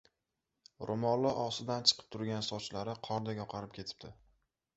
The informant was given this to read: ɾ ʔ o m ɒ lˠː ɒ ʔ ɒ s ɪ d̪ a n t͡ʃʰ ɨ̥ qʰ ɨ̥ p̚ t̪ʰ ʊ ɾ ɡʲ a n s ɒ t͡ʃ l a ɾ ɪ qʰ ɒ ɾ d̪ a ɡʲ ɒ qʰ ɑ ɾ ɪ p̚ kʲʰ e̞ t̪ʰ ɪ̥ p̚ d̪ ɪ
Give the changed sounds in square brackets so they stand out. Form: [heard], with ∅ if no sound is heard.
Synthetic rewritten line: ɾ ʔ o m ɒ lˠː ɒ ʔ ɒ s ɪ d̪ a n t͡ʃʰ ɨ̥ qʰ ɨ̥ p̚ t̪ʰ ʊ ɾ ɡʲ a n s ɒ t͡ʃ l a ɾ ɪ qʰ ɒ ɾ d̪ a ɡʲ ɒ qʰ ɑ ɾ ɪ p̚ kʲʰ e̞ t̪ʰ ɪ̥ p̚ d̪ ɪ